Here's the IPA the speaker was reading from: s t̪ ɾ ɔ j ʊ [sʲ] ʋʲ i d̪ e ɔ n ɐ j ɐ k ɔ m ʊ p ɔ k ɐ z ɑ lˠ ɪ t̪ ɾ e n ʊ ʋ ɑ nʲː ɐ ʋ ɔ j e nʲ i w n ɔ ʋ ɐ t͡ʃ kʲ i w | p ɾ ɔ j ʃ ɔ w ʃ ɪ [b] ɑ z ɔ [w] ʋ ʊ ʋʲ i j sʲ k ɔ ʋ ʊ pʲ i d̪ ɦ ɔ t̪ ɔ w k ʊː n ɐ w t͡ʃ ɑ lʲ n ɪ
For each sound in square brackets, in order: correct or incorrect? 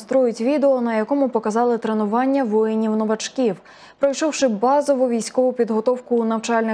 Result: incorrect: tʲ, correct, incorrect: none

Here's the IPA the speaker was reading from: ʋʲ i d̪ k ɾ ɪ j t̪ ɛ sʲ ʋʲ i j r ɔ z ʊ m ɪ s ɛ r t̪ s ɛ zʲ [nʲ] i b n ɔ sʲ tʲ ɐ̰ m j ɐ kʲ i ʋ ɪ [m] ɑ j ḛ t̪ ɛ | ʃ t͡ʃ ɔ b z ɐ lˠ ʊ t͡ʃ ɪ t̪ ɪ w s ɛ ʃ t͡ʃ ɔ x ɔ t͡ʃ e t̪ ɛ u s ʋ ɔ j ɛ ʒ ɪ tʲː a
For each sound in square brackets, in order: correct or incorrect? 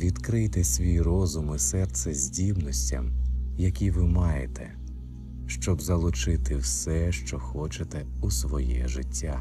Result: incorrect: dʲ, correct

